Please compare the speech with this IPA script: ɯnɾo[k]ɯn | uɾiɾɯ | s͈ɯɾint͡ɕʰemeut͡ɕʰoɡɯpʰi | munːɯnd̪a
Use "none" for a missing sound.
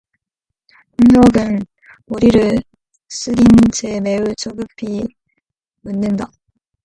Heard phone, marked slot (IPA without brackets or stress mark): ɡ